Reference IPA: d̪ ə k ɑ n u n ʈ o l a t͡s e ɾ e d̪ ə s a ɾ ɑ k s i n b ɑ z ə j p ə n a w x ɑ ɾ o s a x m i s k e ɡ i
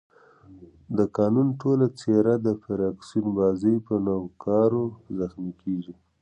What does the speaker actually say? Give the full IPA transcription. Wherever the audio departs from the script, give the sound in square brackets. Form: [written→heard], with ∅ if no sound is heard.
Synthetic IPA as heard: d̪ ə k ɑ n u n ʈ o l a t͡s e ɾ [e→a] d̪ ə [s→f] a ɾ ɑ k s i n b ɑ z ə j p ə n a w [x→k] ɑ ɾ o [s→z] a x m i [s→∅] k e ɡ i